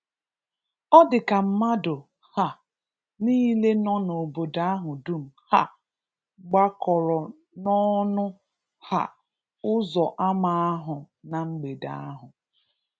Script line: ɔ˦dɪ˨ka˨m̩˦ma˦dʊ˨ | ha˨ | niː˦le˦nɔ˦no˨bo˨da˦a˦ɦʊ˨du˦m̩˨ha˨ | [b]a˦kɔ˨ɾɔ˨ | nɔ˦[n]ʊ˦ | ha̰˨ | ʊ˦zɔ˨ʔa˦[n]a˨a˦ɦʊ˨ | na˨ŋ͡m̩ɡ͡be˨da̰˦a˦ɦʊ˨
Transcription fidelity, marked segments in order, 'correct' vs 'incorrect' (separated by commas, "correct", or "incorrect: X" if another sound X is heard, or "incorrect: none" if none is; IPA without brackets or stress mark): incorrect: ɡ͡b, correct, incorrect: m